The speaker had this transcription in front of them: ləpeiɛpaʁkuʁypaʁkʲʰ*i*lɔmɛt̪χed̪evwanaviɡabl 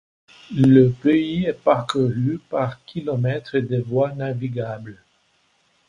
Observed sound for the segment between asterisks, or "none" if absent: i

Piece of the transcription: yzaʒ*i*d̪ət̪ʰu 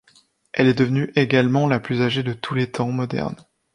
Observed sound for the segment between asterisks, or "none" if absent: e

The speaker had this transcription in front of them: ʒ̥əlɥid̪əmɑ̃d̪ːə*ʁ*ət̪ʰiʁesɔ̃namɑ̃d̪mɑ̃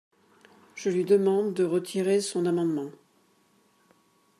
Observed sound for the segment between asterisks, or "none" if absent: ʁ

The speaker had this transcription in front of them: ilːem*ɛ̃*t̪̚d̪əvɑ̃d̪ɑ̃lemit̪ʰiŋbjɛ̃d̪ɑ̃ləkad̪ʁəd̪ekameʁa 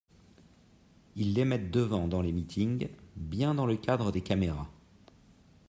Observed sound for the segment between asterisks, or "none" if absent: ɛ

